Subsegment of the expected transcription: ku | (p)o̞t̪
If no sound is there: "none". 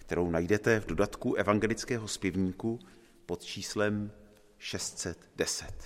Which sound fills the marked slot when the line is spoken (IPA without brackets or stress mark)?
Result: p